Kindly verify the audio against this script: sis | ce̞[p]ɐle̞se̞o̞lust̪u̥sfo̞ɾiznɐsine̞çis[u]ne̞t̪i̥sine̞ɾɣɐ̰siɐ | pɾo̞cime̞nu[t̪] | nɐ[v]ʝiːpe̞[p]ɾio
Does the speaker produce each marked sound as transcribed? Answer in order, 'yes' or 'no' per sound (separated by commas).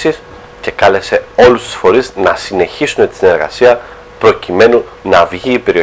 no, yes, no, yes, no